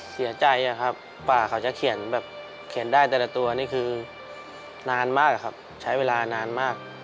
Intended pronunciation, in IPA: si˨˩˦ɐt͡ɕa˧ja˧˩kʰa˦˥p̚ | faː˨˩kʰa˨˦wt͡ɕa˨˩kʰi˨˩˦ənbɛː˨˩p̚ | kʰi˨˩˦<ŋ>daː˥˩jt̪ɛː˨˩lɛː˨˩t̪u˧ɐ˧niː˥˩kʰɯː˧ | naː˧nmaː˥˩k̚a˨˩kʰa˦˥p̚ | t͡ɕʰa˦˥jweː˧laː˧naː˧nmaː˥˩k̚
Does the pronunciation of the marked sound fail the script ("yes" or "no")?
yes